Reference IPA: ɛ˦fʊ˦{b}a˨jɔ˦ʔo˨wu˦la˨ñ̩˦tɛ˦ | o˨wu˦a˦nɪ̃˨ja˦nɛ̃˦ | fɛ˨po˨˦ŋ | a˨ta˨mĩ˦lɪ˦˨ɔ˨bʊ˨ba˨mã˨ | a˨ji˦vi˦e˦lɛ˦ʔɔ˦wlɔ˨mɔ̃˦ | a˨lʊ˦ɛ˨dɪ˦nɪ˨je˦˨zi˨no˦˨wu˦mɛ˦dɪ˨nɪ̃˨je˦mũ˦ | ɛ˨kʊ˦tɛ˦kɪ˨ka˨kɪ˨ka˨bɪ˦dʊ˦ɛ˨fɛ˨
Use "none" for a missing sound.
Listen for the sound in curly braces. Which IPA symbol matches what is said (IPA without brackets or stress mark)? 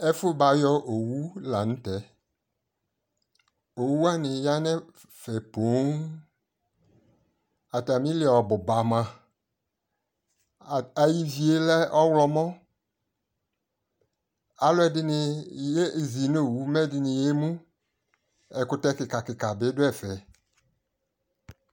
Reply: b